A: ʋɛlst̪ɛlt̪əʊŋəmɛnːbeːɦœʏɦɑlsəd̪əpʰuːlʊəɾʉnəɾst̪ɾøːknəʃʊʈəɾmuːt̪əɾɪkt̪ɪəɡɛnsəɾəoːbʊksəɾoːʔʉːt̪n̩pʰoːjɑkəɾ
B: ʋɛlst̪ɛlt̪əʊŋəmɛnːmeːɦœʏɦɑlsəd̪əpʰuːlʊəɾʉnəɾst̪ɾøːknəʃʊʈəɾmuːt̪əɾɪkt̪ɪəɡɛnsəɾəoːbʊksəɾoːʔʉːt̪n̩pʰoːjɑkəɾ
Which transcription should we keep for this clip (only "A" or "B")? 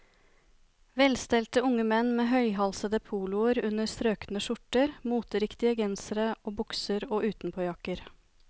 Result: B